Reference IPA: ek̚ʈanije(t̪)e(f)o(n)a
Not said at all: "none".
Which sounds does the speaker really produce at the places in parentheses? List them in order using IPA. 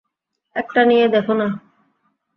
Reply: d̪, f, n

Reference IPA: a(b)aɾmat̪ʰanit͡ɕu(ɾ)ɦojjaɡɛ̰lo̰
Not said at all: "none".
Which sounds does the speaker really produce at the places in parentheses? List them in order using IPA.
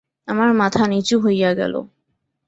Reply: m, none

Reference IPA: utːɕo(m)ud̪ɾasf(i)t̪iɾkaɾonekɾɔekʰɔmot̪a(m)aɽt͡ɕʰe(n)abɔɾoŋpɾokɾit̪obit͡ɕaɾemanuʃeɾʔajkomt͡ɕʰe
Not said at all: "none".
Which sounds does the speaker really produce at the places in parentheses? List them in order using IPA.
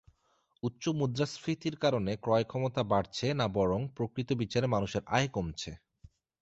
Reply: m, i, b, n

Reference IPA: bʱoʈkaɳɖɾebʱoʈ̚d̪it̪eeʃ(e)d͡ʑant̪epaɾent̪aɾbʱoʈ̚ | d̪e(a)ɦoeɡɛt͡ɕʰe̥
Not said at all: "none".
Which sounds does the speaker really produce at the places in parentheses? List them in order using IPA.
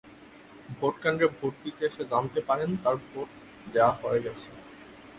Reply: e, a

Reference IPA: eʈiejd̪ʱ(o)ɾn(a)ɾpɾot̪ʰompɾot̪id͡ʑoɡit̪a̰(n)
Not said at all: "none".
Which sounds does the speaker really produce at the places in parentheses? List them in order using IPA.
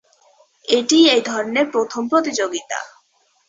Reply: ɔ, e, none

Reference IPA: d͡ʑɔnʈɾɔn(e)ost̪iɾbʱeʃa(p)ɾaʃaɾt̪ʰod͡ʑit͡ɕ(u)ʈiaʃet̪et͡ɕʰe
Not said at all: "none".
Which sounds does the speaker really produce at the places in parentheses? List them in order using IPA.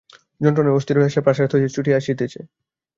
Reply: e, p, u

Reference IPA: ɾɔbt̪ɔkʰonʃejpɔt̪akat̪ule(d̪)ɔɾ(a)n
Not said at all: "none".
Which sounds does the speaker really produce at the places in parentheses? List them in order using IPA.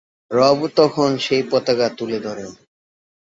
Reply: d̪, e

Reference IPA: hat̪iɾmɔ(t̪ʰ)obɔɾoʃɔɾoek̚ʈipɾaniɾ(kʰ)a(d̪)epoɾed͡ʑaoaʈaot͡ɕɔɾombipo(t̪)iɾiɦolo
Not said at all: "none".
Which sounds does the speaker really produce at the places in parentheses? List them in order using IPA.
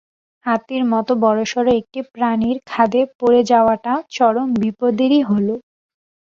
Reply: t̪, kʰ, d̪, d̪

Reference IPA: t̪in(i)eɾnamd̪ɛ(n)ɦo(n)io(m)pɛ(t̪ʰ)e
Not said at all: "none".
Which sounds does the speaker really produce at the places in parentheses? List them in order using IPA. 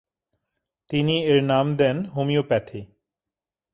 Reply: i, n, m, none, t̪ʰ

